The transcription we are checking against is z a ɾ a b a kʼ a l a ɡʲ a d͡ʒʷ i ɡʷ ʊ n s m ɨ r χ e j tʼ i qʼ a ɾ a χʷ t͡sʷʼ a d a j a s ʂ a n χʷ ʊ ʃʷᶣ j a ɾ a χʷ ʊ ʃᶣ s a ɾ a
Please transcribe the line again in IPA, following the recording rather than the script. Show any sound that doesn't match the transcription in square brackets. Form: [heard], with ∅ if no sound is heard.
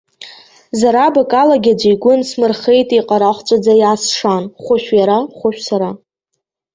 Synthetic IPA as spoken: z a ɾ a b a kʼ a l a ɡʲ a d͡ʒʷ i ɡʷ ʊ n s m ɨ r χ e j tʼ i qʼ a ɾ a χʷ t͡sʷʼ a [d͡z] a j a s ʂ a n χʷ ʊ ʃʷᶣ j a ɾ a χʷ ʊ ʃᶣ s a ɾ a